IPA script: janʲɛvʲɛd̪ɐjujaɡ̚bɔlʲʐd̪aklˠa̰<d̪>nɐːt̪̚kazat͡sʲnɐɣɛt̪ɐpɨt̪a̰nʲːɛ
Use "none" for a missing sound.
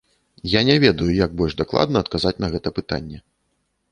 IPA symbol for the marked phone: d̪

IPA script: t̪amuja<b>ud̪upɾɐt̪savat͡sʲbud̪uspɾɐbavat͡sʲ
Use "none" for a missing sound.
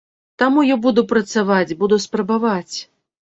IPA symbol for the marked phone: b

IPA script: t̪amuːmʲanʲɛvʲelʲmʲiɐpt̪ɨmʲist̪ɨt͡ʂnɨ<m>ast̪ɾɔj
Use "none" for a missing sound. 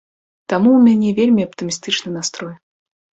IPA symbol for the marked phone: n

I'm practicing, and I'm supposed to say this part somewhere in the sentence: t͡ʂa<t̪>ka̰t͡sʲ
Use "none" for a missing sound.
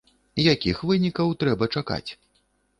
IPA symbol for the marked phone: none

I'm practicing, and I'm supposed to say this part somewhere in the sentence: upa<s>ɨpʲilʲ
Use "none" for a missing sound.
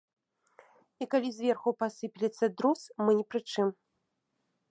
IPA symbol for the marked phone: s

